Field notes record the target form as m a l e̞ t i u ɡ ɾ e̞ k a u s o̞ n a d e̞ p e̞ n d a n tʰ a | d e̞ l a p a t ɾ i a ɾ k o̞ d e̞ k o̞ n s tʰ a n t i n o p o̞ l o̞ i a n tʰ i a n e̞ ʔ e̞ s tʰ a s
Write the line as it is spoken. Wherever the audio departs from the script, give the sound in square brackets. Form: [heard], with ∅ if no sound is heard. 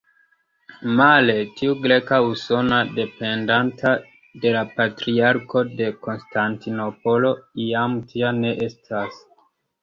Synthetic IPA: m a l e̞ t i u ɡ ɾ e̞ k a u s o̞ n a d e̞ p e̞ n d a n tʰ a | d e̞ l a p a t ɾ i a ɾ k o̞ d e̞ k o̞ n s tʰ a n t i n o p o̞ l o̞ i a [m] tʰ i a n e̞ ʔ e̞ s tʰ a s